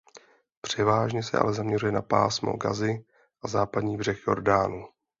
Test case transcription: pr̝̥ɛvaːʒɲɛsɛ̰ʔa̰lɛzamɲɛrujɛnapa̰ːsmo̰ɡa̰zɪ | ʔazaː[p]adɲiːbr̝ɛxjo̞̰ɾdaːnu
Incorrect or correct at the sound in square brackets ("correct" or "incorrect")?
correct